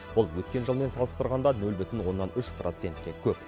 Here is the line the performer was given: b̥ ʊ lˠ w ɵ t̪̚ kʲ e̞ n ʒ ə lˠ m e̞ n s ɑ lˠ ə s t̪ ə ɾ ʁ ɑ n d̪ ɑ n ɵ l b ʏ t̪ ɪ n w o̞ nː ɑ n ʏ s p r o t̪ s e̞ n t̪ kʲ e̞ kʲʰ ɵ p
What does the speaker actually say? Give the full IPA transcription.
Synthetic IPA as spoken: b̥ ʊ lˠ w ɵ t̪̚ kʲ e̞ n ʒ ə lˠ m e̞ n s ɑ lˠ ə s t̪ ə ɾ ʁ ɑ n d̪ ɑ n ɵ l b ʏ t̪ ɪ n w o̞ nː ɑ n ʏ ʃ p r o t̪ s e̞ n t̪ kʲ e̞ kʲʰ ɵ p

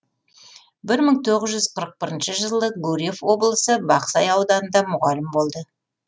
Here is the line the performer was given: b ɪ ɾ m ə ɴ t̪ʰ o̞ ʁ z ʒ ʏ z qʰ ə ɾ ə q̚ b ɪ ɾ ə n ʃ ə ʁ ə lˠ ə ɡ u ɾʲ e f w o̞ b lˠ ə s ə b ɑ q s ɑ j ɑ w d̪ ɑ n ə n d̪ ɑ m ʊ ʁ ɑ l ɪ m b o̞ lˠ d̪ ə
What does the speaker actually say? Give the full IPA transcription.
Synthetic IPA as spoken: b ɪ ɾ m ə ɴ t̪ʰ o̞ ʁ z ʒ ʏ z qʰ ə ɾ ə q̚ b ɪ ɾ ə n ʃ ə ʒ ə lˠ ə ɡ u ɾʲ e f w o̞ b lˠ ə s ə b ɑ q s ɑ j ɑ w d̪ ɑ n ə n d̪ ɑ m ʊ ʁ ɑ l ɪ m b o̞ lˠ d̪ ə

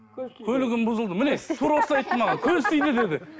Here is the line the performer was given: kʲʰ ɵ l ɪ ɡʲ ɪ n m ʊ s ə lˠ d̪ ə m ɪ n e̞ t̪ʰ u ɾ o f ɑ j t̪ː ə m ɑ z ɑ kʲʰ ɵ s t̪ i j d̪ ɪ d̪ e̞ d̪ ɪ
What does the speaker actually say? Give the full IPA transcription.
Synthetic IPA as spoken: kʲʰ ɵ l ɪ ɡʲ ɪ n b ʊ z ə lˠ d̪ ə m ɪ n e̞ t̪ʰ u ɾ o s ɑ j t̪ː ə m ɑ ʁ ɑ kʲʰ ɵ z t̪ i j d̪ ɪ d̪ e̞ d̪ ɪ

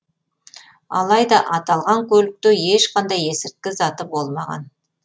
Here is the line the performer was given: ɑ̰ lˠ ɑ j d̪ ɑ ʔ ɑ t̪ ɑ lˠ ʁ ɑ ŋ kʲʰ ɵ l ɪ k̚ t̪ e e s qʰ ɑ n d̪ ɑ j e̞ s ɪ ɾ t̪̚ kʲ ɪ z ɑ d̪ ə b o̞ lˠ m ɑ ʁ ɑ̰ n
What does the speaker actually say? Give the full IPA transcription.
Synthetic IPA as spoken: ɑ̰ lˠ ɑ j d̪ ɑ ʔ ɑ t̪ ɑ lˠ ʁ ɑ ŋ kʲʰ ɵ l ɪ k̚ t̪ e e ʃ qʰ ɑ n d̪ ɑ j e̞ s ɪ ɾ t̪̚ kʲ ɪ z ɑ t̪ ə b o̞ lˠ m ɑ ʁ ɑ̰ n

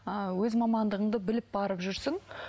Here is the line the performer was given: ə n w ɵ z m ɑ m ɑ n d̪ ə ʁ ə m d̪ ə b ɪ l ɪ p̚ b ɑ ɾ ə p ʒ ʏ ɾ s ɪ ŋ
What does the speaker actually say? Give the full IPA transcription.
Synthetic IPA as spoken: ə w ɵ z m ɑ m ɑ n d̪ ə ʁ ə ɴ d̪ ə b ɪ l ɪ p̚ b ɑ ɾ ə p ʒ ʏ ɾ s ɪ ŋ

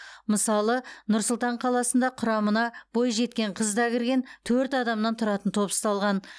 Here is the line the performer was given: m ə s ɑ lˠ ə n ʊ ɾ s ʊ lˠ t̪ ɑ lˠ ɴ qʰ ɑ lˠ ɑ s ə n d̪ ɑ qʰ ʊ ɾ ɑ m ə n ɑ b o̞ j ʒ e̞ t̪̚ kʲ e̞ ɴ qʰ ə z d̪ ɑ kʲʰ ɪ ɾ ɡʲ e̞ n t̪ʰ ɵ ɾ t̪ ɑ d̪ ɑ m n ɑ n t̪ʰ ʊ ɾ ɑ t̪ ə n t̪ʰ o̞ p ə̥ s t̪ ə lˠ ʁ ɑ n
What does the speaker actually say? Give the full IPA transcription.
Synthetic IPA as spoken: m ə s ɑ lˠ ə n ʊ ɾ s ʊ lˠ t̪ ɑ ɴ qʰ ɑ lˠ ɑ s ə n d̪ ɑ qʰ ʊ ɾ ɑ m ə n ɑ b o̞ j ʒ e̞ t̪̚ kʲ e̞ ɴ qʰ ə z d̪ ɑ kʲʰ ɪ ɾ ɡʲ e̞ n t̪ʰ ɵ ɾ t̪ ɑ d̪ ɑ m n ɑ n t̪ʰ ʊ ɾ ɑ t̪ ə n t̪ʰ o̞ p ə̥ s t̪ ɑ lˠ ʁ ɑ n

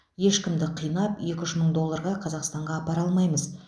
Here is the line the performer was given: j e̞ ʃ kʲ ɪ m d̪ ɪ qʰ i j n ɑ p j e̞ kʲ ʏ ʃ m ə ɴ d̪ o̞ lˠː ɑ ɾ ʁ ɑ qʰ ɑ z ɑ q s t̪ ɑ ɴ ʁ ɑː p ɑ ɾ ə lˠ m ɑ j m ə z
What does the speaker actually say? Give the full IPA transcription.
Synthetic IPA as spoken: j e̞ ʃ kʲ ɪ m d̪ ɪ qʰ i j n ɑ p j e̞ kʲ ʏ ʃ m ə ɴ d̪ o̞ lˠː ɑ ɾ ʁ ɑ qʰ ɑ z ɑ q s t̪ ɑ ɴ ʁ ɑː p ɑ ɾ ɑ lˠ m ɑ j m ə z

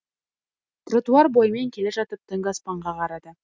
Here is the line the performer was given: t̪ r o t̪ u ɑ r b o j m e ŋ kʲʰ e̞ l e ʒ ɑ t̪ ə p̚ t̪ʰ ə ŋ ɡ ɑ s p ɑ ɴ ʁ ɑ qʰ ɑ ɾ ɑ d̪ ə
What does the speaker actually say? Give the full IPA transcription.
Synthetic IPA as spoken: t̪ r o t̪ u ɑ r b o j m e ŋ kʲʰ e̞ l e ʒ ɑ t̪ ə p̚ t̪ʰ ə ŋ ɡ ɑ s p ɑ ɴ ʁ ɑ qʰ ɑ ɾ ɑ d̪ ə

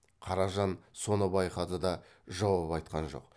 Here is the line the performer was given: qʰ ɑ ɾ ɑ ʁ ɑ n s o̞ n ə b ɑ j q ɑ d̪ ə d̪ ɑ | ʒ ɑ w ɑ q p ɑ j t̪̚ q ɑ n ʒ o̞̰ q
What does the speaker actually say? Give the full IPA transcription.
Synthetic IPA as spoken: qʰ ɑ ɾ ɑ ʒ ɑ n s o̞ n ə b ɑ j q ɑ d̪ ə d̪ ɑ | ʒ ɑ w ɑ p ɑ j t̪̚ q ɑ n ʒ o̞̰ q

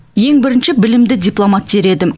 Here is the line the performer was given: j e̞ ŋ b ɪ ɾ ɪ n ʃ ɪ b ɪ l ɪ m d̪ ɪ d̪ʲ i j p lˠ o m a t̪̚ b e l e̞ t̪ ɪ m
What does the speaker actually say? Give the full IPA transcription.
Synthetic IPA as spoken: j e̞ ŋ b ɪ ɾ ɪ n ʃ ɪ b ɪ l ɪ m d̪ ɪ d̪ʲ i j p lˠ o m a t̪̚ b e ɾ e̞ d̪ ɪ m

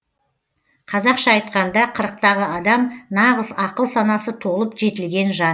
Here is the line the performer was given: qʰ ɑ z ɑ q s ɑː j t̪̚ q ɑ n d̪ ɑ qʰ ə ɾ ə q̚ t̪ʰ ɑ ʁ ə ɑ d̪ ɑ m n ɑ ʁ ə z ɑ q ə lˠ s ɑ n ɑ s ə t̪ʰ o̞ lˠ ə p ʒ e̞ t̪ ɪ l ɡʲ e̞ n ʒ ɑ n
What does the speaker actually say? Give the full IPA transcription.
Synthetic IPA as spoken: qʰ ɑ z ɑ q ʃ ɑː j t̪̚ q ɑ n d̪ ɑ qʰ ə ɾ ə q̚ t̪ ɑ ʁ ə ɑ d̪ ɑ m n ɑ ʁ ə z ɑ q ə lˠ s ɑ n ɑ s ə t̪ʰ o̞ lˠ ə p ʒ e̞ t̪ ɪ l ɡʲ e̞ n ʒ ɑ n

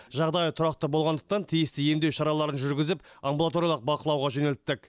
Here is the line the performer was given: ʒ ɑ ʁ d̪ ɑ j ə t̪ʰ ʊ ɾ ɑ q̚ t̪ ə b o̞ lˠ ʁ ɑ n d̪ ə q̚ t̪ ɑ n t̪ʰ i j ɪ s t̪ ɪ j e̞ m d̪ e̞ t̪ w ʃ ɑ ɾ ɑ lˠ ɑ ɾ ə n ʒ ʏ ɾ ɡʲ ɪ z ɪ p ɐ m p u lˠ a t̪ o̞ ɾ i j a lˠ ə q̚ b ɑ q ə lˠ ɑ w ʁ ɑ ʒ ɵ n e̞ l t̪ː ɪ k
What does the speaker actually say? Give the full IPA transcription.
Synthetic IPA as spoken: ʒ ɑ ʁ d̪ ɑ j ə t̪ʰ ʊ ɾ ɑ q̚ t̪ ə b o̞ lˠ ʁ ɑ n d̪ ə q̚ t̪ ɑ n t̪ʰ i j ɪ s t̪ ɪ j e̞ m d̪ e̞ w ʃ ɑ ɾ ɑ lˠ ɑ ɾ ə n ʒ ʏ ɾ ɡʲ ɪ z ɪ p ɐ m b u lˠ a t̪ o̞ ɾ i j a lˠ ə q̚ b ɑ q ə lˠ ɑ w ʁ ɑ ʒ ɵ n e̞ l t̪ː ɪ k

